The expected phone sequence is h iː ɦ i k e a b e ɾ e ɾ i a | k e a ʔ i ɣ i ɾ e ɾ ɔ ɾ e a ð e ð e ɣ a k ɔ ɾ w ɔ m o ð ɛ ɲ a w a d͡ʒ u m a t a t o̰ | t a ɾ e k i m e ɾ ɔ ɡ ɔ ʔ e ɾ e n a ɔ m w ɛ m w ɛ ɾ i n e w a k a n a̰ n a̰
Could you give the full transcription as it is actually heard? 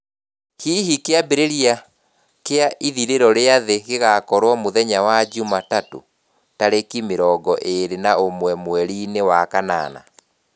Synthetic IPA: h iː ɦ i k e a b e ɾ e ɾ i a | k e a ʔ i ð i ɾ e ɾ ɔ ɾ e a ð e ɣ e ɣ a k ɔ ɾ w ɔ m o ð ɛ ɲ a w a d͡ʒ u m a t a t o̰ | t a ɾ e k i m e ɾ ɔ ɡ ɔ ʔ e ɾ e n a o m w ɛ m w ɛ ɾ i n e w a k a n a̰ n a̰